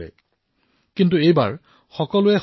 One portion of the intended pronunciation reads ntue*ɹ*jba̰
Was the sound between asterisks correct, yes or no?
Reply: no